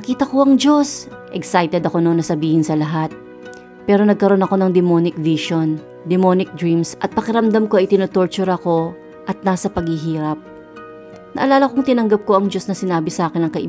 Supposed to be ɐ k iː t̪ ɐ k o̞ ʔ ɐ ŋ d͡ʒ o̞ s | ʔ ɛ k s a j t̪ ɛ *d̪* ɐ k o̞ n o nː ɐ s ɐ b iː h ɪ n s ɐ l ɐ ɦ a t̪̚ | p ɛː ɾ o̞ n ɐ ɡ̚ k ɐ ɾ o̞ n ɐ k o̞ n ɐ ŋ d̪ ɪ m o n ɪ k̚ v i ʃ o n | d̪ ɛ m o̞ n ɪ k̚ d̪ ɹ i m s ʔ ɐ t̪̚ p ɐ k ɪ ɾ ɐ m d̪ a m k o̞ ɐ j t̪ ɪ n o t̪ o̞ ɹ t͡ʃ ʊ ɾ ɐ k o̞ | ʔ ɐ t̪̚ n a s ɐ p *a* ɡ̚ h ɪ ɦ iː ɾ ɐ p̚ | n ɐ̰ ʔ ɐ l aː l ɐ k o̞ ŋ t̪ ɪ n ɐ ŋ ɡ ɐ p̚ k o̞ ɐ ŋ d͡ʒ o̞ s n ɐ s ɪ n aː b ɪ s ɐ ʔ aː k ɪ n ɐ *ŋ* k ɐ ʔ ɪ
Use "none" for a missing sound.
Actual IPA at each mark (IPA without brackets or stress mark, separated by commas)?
d̪, ɐ, ŋ